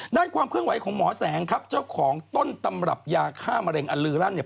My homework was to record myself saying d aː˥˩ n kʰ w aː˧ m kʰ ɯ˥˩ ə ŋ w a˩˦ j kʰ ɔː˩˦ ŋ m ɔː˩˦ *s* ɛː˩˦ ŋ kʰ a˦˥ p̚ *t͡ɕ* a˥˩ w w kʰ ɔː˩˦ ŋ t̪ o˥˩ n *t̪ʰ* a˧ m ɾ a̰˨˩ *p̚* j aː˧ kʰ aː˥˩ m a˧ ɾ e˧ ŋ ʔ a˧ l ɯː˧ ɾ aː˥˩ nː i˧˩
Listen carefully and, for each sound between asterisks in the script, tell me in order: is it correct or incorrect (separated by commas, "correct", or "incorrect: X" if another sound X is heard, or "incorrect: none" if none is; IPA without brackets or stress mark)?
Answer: correct, correct, incorrect: t̪, correct